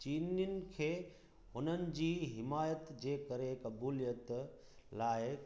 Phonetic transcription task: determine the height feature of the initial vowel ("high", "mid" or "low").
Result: high